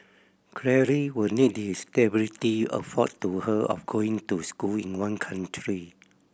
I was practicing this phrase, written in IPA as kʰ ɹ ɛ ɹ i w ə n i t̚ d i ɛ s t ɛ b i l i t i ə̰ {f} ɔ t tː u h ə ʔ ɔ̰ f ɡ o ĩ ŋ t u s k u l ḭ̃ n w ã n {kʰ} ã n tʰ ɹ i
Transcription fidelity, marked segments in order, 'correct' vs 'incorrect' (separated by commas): correct, correct